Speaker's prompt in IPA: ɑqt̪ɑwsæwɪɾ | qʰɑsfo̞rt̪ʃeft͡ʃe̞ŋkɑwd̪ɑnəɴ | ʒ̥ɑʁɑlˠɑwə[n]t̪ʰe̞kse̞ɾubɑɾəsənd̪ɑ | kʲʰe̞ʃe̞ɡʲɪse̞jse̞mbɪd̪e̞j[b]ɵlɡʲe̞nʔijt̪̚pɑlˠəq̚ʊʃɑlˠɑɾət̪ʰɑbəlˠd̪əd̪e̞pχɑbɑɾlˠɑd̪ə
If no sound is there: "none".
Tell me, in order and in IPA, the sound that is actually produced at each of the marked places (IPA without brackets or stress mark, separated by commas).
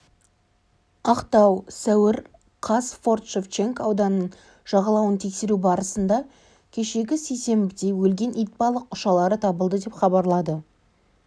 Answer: n, w